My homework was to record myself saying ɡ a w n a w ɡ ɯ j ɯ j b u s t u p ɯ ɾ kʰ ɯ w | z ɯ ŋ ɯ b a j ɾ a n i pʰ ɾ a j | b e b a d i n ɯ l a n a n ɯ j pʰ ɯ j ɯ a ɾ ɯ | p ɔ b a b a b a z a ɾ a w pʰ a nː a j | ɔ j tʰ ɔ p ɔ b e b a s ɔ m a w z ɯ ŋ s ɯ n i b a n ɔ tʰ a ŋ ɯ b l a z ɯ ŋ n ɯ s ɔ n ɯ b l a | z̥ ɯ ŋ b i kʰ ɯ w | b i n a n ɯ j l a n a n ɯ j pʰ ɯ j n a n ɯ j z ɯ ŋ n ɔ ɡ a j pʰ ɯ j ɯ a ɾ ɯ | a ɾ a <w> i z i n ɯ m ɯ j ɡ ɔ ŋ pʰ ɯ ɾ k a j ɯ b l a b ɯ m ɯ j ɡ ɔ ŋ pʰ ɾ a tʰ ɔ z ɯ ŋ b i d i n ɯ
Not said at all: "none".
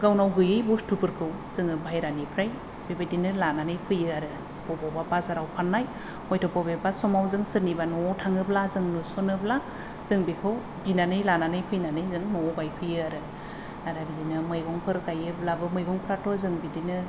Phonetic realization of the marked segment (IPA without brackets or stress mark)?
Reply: b